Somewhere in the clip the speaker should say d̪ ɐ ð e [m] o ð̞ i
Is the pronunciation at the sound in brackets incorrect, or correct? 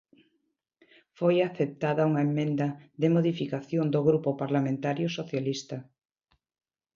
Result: correct